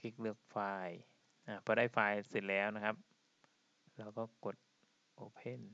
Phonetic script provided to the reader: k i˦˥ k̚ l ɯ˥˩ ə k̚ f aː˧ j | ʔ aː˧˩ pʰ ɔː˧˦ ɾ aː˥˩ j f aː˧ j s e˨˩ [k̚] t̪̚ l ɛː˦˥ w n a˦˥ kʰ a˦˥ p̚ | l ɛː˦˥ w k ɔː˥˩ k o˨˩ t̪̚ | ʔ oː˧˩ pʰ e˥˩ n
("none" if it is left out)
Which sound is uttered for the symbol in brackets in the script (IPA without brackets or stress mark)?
none